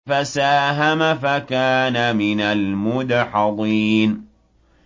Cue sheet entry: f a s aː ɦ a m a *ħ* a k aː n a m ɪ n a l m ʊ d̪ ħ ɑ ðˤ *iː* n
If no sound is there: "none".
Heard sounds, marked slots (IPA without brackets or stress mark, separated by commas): f, iː